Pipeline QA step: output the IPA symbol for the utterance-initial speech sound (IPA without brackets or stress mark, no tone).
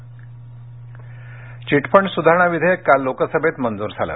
t͡ɕ